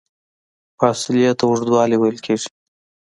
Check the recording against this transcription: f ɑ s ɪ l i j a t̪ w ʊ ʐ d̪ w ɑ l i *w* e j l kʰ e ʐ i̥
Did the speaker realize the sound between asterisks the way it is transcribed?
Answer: yes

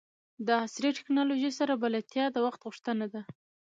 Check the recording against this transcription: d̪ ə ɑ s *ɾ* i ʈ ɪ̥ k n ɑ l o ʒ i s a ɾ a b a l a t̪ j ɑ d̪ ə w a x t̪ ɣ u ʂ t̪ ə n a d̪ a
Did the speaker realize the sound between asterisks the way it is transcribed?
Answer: yes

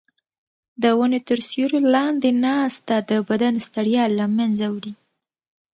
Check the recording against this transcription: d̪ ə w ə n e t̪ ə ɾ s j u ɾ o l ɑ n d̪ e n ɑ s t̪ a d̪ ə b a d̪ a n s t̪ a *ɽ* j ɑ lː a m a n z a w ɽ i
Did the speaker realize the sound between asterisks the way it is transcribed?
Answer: yes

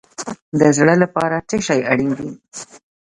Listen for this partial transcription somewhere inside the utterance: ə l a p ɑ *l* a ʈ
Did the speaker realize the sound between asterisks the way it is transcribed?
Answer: no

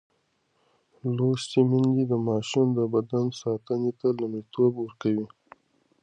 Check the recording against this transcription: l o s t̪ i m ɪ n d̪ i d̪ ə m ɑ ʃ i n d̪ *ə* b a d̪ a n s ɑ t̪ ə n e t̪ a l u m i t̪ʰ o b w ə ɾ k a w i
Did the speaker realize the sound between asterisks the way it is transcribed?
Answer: yes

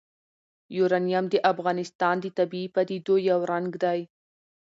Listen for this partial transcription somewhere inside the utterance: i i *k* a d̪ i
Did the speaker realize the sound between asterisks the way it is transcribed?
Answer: no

